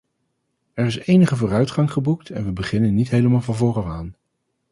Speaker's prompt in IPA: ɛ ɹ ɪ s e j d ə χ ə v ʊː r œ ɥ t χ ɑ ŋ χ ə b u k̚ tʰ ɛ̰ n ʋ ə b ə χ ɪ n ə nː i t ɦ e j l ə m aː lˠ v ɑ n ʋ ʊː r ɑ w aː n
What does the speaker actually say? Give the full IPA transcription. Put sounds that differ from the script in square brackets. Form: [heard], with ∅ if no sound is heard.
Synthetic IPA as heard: ɛ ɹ ɪ s e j [n] ə χ ə v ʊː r œ ɥ t χ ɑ ŋ χ ə b u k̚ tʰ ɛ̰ n ʋ ə b ə χ ɪ n ə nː i t ɦ e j l ə m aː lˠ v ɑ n [v] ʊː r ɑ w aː n